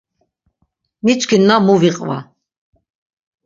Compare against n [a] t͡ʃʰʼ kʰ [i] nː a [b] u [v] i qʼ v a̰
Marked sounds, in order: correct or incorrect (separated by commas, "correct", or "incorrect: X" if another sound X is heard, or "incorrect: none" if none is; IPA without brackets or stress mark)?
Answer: incorrect: i, correct, incorrect: m, correct